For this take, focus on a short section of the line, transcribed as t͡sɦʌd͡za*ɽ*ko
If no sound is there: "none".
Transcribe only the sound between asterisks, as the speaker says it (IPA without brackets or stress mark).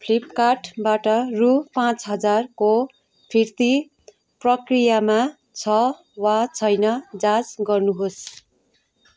r